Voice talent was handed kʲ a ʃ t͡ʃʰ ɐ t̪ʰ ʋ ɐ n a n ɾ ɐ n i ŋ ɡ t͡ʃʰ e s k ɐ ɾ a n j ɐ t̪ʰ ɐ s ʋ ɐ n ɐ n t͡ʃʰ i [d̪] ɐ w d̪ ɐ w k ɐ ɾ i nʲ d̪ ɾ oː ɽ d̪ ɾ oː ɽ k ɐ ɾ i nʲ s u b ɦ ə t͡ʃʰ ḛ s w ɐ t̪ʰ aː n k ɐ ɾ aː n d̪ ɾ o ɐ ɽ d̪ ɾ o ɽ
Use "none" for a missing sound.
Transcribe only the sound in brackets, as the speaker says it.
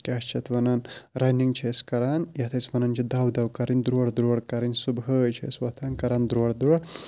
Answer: d̪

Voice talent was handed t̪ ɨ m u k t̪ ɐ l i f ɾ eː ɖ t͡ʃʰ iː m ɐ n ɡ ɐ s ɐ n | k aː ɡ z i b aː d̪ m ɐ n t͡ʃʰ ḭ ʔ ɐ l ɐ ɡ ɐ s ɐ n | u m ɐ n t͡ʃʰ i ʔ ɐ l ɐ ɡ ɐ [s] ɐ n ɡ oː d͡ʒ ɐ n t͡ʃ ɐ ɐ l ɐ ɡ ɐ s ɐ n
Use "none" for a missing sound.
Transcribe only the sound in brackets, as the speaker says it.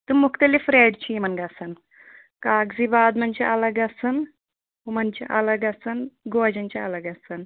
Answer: s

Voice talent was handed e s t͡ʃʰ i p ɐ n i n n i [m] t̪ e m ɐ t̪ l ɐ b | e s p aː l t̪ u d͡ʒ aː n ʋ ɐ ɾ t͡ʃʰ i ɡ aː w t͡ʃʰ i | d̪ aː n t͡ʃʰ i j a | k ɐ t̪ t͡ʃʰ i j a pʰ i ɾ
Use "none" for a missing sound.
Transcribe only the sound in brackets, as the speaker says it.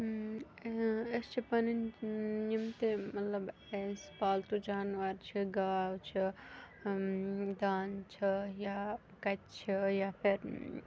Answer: m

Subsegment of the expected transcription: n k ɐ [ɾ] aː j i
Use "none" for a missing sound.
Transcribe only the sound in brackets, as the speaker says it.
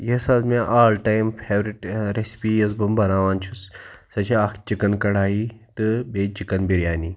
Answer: ɽ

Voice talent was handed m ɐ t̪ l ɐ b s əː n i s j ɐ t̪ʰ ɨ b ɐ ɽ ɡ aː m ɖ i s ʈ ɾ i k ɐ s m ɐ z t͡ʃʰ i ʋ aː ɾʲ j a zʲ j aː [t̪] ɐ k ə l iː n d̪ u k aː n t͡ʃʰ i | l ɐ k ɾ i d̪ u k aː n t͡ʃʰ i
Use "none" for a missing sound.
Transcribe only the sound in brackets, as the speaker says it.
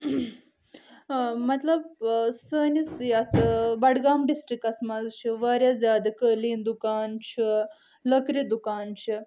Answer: d̪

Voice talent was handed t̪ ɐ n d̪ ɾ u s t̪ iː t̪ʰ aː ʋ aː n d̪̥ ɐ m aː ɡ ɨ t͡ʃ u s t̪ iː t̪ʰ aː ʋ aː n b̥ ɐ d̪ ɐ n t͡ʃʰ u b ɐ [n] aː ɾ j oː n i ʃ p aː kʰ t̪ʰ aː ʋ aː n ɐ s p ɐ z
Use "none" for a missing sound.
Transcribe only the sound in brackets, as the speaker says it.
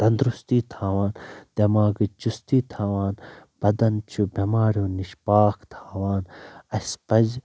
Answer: m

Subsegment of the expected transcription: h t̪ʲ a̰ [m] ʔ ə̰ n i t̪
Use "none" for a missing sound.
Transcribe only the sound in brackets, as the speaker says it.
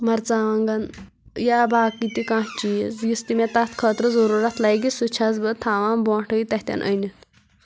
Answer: n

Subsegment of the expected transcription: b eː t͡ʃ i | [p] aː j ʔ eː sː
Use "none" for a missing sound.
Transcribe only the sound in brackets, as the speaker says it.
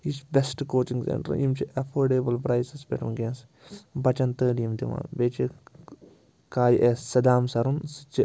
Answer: k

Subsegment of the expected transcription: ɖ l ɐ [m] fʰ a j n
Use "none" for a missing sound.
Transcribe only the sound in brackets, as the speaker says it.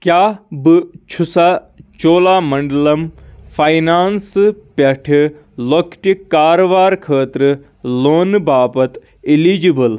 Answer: m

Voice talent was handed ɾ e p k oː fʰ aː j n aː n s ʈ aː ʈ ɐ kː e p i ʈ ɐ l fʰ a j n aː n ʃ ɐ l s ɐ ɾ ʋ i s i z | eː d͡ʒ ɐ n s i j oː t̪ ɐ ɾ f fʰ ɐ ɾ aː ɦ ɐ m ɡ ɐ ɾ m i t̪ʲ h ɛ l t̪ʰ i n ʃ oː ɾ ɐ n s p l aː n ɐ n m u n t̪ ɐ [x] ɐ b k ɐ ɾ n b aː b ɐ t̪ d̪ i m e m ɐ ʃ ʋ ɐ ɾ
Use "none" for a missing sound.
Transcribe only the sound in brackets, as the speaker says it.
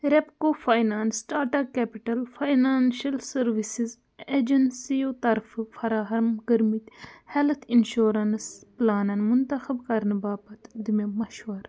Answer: x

